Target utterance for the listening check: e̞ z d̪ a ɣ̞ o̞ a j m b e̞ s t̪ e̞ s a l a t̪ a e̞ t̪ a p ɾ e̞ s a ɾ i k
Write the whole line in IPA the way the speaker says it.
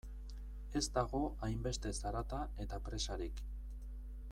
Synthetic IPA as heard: e̞ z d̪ a ɣ̞ o̞ a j m b e̞ s t̪ e̞ s a ɾ a t̪ a e̞ t̪ a p ɾ e̞ s a ɾ i k